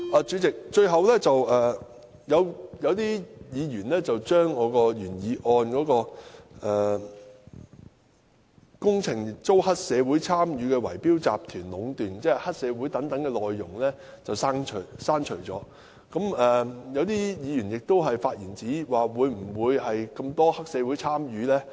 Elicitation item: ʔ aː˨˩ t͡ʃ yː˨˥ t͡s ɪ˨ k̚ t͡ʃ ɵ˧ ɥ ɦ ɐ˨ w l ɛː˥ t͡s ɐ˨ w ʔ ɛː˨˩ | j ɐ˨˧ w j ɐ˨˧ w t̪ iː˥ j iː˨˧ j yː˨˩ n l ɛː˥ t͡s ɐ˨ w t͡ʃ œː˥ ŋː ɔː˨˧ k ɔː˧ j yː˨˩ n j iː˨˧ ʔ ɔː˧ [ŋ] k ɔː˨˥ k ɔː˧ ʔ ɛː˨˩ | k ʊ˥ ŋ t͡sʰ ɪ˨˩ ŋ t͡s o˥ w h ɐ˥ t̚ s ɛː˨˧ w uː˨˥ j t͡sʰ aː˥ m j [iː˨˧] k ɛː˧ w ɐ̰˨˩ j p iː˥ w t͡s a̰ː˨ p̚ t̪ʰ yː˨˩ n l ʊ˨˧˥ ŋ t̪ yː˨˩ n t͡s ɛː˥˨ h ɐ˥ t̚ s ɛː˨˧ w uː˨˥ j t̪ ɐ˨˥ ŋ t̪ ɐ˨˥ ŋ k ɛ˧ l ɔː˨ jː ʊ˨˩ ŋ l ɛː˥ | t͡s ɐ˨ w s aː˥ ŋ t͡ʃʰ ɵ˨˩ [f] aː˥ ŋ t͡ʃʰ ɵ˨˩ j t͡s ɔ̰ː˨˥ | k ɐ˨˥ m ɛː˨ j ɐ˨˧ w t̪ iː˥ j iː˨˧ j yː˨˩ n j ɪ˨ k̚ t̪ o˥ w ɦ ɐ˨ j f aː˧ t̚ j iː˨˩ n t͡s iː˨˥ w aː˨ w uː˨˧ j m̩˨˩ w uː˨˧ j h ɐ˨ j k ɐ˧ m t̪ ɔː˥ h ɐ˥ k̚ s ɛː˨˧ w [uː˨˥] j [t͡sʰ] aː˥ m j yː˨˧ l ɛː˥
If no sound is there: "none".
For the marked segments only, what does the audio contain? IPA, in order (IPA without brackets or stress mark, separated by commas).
n, yː˨˧, s, u˨˥, t͡sʰ